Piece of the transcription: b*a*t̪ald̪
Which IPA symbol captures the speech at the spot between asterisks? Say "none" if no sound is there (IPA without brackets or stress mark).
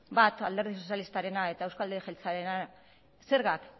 a